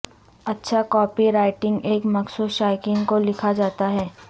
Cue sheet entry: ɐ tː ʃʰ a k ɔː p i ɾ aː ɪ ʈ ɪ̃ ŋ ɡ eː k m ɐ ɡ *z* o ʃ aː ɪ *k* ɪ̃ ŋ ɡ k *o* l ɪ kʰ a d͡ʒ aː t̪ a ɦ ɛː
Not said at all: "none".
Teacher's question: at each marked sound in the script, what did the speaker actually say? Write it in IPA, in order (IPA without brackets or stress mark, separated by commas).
s, k, o